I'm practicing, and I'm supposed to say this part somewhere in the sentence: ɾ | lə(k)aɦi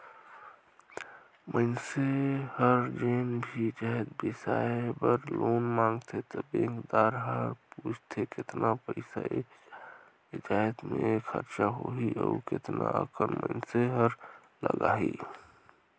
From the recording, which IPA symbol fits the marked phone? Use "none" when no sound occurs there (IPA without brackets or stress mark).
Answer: ɡ